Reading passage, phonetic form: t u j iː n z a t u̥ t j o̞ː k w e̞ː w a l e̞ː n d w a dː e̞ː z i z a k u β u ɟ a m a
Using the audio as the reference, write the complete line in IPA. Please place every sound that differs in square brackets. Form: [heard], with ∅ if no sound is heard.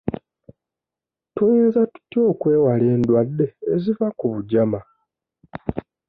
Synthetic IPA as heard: t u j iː n z a t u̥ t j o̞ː k w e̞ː w a l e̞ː n d w a dː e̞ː z i [v] a k u β u ɟ a m a